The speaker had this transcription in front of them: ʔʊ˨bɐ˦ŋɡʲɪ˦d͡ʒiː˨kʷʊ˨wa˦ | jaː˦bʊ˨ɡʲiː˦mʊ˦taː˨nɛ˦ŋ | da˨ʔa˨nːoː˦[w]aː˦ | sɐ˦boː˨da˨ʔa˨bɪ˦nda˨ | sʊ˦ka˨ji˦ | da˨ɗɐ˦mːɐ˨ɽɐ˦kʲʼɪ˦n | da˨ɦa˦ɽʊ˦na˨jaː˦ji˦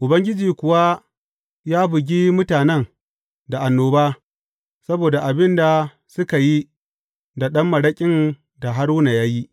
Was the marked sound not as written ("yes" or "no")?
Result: yes